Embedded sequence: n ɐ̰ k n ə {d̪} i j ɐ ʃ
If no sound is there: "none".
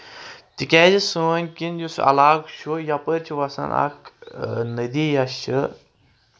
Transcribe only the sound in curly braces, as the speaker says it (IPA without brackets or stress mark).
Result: d̪